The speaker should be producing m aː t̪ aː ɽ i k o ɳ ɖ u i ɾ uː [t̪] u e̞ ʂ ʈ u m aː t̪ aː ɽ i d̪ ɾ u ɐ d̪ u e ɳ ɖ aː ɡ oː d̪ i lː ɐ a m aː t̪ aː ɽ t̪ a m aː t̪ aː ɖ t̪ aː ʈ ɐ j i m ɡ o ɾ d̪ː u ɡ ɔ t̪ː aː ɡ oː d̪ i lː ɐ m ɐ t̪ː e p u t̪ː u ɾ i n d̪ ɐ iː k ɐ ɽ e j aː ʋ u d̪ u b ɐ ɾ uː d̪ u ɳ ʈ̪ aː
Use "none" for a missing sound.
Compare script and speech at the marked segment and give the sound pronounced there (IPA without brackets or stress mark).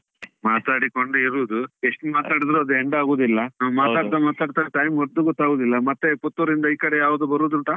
d̪